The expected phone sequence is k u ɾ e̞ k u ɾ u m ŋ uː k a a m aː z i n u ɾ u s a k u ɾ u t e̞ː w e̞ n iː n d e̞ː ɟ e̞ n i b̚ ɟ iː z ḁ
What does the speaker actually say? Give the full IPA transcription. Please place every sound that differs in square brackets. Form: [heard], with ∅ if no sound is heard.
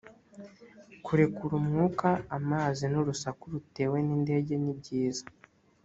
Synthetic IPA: k u ɾ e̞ k u ɾ u m ŋ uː k a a m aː z i n u ɾ u s a k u ɾ u t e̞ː w e̞ n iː n d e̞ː ɟ e̞ n i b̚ ɟ iː z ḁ